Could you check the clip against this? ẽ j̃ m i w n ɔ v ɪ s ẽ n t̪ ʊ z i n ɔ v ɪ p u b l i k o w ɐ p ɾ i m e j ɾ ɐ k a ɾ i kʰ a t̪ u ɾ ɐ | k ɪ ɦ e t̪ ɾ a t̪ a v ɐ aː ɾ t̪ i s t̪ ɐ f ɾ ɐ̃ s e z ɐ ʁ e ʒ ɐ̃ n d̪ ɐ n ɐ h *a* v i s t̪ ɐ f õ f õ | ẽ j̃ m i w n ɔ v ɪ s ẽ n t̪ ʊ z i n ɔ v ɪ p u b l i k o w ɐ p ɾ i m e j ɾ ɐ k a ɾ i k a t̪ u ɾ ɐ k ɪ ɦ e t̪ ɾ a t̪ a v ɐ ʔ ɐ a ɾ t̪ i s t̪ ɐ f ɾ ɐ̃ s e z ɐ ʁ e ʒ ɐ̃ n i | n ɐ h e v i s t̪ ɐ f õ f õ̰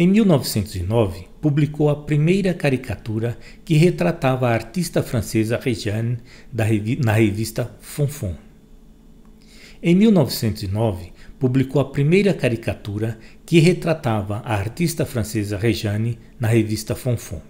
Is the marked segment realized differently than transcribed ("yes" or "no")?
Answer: yes